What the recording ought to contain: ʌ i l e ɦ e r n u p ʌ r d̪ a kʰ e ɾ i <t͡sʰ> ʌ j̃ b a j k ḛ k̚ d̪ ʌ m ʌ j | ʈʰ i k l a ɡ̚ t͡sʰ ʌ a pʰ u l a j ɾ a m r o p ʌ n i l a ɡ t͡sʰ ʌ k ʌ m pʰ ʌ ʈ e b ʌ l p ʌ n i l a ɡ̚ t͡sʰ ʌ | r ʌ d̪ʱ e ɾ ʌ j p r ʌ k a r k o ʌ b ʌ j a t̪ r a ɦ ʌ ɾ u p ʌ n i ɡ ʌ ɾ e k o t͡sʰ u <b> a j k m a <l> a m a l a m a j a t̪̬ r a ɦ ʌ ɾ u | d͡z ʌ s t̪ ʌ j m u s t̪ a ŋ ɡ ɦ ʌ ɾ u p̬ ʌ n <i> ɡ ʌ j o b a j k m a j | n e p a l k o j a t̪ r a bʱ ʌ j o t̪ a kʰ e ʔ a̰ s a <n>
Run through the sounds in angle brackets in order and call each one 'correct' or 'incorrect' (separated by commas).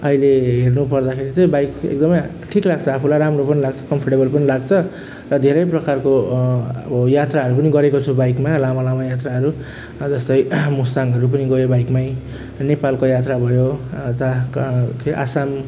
incorrect, correct, correct, correct, incorrect